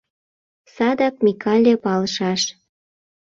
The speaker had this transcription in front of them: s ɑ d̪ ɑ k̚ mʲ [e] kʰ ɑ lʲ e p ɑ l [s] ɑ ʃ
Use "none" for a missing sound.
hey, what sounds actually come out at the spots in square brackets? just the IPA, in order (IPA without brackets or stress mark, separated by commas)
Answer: i, ʃ